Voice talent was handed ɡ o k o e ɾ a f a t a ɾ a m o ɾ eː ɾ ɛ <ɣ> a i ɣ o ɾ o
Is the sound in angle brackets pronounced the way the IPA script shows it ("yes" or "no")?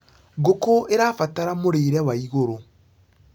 no